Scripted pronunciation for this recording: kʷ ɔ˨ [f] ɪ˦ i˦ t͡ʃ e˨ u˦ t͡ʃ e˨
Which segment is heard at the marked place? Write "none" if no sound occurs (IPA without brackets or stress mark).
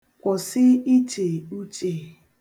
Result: s